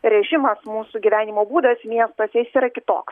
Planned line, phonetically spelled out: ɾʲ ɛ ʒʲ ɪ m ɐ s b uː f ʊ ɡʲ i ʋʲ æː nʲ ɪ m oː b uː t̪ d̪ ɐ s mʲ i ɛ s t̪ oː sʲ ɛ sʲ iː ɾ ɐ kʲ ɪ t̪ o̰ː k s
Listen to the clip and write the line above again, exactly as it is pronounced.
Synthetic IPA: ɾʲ ɛ ʒʲ ɪ m ɐ s m uː s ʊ ɡʲ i ʋʲ æː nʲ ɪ m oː b uː d̪ ɐ s mʲ i ɛ s t̪ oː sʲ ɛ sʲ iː ɾ ɐ kʲ ɪ t̪ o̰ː k s